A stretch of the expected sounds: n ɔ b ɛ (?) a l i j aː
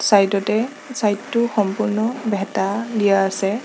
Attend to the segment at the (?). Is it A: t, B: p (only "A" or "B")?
A